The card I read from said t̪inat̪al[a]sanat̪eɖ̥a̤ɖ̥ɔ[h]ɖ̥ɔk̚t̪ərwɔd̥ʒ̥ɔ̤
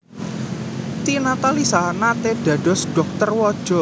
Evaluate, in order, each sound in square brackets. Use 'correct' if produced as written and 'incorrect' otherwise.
incorrect, incorrect

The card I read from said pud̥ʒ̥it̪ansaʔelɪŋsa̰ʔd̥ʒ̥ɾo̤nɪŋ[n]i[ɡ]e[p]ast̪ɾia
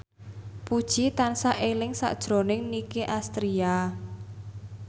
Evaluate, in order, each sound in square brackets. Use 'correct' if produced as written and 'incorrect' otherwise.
correct, incorrect, incorrect

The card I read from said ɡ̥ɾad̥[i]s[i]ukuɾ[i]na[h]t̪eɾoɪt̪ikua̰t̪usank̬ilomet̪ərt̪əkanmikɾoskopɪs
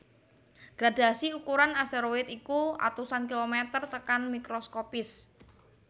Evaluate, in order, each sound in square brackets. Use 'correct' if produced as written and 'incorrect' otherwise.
incorrect, correct, incorrect, incorrect

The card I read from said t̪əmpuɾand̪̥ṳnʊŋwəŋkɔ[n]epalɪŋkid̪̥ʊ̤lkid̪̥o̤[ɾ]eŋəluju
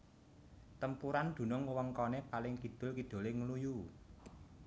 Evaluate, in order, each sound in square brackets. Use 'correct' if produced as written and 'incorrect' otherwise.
correct, incorrect

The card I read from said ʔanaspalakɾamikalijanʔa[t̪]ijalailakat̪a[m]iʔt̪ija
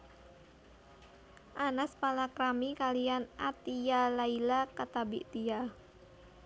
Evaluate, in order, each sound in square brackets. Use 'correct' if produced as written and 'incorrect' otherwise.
correct, incorrect

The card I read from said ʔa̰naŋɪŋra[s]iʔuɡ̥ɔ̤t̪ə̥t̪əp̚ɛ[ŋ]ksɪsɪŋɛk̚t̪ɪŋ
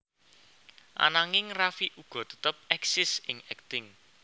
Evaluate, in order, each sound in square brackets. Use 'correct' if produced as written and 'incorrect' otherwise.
incorrect, incorrect

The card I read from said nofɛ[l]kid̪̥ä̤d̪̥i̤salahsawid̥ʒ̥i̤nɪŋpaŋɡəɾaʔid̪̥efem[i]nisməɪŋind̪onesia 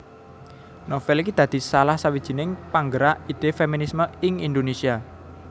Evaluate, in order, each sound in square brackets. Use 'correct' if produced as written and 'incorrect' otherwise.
correct, correct

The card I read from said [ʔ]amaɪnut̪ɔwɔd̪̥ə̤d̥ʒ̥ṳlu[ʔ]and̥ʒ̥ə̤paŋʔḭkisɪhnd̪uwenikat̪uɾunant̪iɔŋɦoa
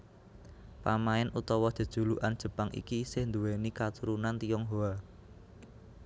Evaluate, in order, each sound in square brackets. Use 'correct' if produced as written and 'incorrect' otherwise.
incorrect, correct

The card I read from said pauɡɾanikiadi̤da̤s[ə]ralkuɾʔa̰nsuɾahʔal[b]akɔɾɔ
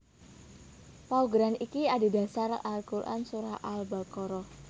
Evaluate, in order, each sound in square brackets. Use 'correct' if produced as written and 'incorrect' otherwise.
incorrect, correct

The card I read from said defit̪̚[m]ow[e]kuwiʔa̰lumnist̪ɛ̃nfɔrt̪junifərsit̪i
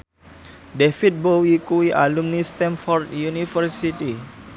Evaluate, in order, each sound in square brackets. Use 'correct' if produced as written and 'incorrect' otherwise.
incorrect, incorrect

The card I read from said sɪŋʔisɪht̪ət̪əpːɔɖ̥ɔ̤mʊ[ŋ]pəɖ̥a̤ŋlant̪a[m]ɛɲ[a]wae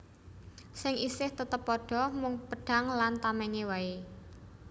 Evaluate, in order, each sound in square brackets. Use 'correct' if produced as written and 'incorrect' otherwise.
correct, correct, incorrect

